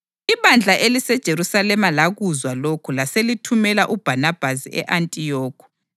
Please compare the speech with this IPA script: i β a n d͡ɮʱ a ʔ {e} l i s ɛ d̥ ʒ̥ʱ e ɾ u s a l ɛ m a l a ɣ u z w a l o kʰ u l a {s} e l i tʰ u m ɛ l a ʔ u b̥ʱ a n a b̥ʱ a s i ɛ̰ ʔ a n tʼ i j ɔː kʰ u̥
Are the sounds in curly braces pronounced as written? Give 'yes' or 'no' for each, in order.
yes, yes

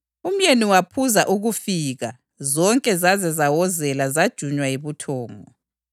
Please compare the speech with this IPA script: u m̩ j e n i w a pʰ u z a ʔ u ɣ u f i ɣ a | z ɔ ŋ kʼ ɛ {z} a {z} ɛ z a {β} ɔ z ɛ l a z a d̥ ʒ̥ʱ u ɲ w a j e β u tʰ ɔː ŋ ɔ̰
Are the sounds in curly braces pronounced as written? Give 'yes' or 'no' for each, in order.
yes, yes, no

